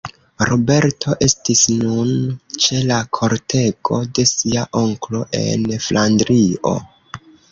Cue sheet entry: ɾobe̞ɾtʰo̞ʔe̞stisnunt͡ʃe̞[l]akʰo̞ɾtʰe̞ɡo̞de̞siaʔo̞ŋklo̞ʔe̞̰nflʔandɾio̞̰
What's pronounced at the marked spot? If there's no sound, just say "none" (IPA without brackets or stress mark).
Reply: l